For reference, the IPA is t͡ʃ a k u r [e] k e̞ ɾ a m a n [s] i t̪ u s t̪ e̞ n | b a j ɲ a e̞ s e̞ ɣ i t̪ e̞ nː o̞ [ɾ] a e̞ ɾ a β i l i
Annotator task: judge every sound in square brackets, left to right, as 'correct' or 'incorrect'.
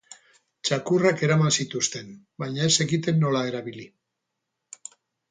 incorrect: a, correct, incorrect: l

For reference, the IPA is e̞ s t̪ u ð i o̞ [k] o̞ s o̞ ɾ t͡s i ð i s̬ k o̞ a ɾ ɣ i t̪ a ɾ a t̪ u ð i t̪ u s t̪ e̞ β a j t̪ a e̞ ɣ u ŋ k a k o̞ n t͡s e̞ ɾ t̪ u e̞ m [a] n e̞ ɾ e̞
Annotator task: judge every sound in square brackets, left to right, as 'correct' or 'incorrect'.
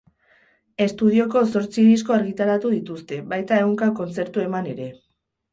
correct, correct

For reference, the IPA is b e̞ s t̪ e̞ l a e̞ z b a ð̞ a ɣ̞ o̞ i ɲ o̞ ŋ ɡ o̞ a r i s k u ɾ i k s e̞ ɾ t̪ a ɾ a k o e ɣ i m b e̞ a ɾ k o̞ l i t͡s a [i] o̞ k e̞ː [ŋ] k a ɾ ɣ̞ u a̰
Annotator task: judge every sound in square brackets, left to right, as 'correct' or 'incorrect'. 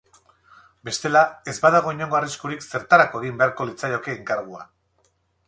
incorrect: j, correct

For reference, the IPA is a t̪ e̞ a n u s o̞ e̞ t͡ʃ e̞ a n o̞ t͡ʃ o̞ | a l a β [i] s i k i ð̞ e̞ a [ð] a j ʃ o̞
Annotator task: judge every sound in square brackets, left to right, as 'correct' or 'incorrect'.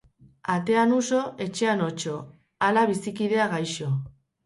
correct, incorrect: ɣ

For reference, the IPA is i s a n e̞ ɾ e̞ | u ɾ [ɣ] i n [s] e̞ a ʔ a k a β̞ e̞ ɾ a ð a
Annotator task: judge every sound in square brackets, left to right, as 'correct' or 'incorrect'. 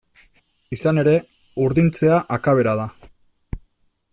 incorrect: ð, incorrect: t͡s

